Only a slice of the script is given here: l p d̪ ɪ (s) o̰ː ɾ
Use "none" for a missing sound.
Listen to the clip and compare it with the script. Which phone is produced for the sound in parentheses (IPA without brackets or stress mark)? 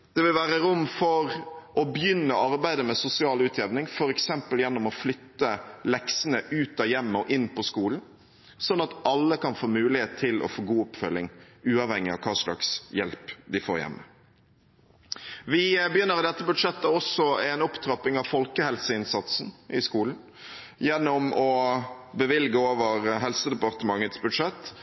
f